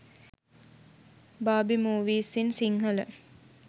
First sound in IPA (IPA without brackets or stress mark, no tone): b